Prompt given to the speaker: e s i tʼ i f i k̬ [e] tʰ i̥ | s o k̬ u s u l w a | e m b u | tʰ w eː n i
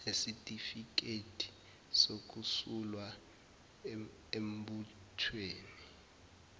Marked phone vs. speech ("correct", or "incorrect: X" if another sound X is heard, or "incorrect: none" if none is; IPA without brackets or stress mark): correct